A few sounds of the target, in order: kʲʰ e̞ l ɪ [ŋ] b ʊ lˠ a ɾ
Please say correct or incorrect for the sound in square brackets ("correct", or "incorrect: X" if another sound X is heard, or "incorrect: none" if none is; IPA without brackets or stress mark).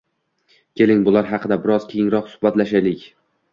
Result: correct